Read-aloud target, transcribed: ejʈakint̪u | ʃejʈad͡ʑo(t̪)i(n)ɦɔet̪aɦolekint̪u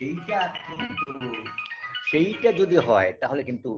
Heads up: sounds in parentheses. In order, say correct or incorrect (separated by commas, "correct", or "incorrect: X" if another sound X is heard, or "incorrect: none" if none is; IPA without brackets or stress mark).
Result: incorrect: d̪, incorrect: none